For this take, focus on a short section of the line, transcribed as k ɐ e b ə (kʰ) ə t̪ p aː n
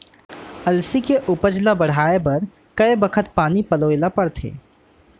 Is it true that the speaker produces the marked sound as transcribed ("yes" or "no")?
yes